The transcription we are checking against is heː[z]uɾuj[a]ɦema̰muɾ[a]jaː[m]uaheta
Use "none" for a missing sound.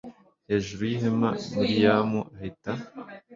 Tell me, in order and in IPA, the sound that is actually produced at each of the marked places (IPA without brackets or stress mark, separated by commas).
ʒ, i, i, m